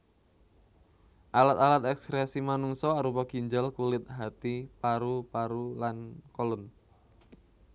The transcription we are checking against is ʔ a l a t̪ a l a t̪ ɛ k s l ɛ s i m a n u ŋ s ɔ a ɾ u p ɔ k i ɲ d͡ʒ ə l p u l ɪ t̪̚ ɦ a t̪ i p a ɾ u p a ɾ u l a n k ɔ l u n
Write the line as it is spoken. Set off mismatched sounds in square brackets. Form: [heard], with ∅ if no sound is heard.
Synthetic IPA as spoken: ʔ a l a t̪ a l a t̪ ɛ k s [ɾ] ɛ s i m a n u ŋ s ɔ a ɾ u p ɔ k i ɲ d͡ʒ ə l [k] u l ɪ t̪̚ ɦ a t̪ i p a ɾ u p a ɾ u l a n k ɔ l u n